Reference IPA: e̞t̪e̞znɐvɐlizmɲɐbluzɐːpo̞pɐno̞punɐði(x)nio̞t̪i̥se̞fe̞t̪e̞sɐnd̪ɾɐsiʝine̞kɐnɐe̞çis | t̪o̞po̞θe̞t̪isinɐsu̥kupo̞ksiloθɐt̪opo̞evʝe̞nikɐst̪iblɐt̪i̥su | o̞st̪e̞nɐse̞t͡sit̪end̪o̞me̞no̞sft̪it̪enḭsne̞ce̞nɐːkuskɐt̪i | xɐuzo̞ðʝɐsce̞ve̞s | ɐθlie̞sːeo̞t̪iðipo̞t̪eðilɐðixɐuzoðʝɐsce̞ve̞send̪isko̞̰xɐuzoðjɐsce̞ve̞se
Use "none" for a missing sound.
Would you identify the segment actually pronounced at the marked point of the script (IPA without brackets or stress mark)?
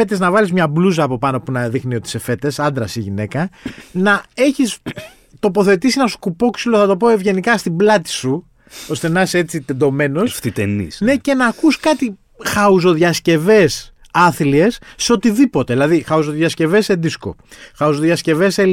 x